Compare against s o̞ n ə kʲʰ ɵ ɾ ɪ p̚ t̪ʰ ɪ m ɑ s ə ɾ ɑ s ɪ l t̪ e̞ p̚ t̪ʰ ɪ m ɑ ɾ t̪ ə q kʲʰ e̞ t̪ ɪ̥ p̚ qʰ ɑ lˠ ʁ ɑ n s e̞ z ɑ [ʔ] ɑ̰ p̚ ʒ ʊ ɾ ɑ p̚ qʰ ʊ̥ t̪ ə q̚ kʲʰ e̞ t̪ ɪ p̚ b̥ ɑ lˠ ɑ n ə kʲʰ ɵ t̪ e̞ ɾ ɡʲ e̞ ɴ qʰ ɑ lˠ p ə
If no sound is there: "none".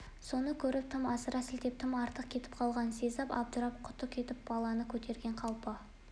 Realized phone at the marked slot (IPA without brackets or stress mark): p